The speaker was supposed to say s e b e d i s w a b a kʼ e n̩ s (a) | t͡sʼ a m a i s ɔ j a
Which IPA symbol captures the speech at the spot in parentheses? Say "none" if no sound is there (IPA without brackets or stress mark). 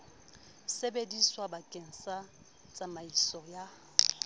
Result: a